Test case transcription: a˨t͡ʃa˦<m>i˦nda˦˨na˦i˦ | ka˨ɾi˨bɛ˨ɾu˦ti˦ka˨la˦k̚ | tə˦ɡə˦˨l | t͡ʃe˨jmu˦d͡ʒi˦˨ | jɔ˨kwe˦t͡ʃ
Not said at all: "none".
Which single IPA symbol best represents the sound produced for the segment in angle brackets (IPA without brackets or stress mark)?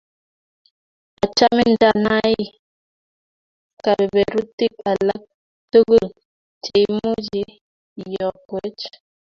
m